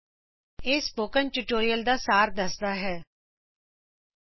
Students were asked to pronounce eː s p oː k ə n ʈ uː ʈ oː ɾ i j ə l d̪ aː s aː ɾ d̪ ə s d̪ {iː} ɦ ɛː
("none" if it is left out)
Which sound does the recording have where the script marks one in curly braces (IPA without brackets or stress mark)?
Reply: aː